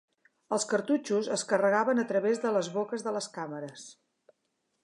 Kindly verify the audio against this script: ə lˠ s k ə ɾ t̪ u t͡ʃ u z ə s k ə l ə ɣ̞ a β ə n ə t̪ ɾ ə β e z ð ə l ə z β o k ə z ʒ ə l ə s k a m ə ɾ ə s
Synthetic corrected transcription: ə lˠ s k ə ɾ t̪ u t͡ʃ u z ə s k ə r ə ɣ̞ a β ə n ə t̪ ɾ ə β e z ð ə l ə z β o k ə z ð ə l ə s k a m ə ɾ ə s